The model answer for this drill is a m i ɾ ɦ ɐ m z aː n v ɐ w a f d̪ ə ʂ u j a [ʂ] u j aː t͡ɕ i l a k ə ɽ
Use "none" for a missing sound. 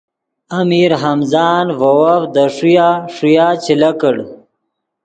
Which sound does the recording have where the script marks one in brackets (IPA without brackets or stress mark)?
ʂ